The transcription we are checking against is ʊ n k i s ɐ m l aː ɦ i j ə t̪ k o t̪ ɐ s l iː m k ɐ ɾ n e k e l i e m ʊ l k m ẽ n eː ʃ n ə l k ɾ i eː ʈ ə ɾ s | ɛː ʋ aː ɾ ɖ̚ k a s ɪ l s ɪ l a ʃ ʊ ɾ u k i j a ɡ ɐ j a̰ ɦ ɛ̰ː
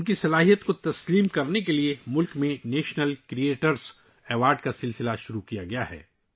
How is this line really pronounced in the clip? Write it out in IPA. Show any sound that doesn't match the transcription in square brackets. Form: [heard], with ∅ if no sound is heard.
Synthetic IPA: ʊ n k i s ɐ [∅] l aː ɦ i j ə t̪ k o t̪ ɐ s l iː m k ɐ ɾ n e k e l i e m ʊ l k m ẽ n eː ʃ n ə l k ɾ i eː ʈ ə ɾ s | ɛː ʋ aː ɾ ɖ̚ k a s ɪ l s ɪ l a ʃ ʊ ɾ u k i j a ɡ ɐ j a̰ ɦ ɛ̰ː